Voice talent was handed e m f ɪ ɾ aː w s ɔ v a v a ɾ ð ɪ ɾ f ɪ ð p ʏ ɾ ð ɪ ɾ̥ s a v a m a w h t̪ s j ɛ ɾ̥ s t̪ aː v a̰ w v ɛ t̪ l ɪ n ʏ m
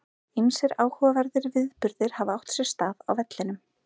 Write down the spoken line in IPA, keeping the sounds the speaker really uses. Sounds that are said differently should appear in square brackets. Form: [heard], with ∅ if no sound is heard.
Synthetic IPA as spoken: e m [s] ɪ ɾ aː w [h] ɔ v a v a ɾ ð ɪ ɾ [v] ɪ ð p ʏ ɾ ð ɪ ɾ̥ [h] a v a [∅] a w h t̪ s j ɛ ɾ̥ s t̪ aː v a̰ w v ɛ t̪ l ɪ n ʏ m